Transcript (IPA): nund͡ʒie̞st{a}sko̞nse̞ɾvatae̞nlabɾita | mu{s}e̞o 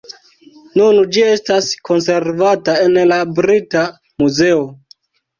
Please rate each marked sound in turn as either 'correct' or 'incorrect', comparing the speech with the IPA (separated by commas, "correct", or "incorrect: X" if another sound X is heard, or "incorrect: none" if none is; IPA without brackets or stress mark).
correct, incorrect: z